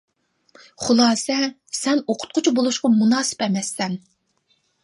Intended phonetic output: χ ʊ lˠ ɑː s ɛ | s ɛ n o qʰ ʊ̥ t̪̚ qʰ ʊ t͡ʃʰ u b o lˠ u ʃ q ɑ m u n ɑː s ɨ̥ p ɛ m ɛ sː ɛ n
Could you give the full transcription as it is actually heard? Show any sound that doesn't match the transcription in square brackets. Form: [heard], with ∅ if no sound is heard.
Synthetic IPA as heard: χ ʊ lˠ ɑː s ɛ | s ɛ n o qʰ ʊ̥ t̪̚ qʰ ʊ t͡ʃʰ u b o lˠ u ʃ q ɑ m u n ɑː s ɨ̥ p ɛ m ɛ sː ɛ n